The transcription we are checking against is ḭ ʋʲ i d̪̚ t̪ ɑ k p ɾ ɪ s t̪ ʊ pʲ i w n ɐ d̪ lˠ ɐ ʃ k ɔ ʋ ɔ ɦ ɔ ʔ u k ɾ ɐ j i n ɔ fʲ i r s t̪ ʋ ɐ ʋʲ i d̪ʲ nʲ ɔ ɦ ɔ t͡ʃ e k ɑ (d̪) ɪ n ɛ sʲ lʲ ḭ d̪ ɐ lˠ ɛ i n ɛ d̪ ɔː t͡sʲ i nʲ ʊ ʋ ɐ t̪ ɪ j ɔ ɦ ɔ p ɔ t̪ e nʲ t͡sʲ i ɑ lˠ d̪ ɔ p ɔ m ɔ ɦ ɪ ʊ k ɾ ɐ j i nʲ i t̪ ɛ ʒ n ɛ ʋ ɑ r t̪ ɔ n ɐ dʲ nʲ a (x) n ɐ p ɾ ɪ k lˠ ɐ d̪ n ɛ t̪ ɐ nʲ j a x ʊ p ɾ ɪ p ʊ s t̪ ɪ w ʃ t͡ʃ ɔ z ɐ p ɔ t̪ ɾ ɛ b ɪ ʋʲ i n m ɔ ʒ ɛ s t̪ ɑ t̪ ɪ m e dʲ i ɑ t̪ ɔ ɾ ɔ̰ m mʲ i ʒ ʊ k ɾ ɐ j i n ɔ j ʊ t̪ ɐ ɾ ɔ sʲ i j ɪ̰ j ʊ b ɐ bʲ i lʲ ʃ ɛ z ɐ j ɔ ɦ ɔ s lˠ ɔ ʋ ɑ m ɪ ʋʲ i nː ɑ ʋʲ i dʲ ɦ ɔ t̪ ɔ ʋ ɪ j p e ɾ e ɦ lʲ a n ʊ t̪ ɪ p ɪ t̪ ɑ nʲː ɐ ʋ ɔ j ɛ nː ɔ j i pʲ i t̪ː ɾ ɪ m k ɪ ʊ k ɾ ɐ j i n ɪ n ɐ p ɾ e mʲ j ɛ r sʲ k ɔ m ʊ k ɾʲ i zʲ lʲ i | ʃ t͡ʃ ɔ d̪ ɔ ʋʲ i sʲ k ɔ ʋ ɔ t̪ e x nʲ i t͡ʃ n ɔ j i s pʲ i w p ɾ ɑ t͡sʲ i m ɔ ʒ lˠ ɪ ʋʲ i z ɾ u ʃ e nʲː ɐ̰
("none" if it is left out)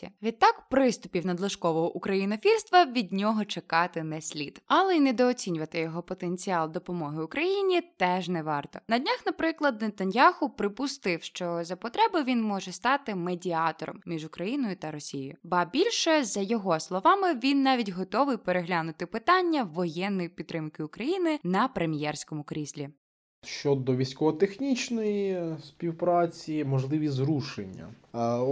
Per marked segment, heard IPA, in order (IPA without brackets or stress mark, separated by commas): t̪, x